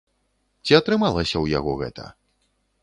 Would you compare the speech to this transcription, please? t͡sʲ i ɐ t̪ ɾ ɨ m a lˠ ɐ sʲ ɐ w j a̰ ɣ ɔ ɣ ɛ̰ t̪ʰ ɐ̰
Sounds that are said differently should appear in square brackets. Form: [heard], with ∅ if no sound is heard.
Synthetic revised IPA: t͡sʲ i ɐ t̪ ɾ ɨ m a lˠ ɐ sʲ ɐ w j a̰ ɣ ɔ ɣ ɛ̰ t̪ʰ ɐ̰